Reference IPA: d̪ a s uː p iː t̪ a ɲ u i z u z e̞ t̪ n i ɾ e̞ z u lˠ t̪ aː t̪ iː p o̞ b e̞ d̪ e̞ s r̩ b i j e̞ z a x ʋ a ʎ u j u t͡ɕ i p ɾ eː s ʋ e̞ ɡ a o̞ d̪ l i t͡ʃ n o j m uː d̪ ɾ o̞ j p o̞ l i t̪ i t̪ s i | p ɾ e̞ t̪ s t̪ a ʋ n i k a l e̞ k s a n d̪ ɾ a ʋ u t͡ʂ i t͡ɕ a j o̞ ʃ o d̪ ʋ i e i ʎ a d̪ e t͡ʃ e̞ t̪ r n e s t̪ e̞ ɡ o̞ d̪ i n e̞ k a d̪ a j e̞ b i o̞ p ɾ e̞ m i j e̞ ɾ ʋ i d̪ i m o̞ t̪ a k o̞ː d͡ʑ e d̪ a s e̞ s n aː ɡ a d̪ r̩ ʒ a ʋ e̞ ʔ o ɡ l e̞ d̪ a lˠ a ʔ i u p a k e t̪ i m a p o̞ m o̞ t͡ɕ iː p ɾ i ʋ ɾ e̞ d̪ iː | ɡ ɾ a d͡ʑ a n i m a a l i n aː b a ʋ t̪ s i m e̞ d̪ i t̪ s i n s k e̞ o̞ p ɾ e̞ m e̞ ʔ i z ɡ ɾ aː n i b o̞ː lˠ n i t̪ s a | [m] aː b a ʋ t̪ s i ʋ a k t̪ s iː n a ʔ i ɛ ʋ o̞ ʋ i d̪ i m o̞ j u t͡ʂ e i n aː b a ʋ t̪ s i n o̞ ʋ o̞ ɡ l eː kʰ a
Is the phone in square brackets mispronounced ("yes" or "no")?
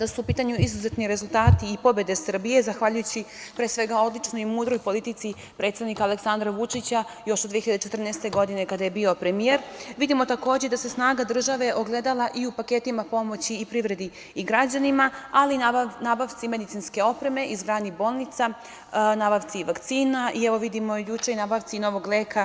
yes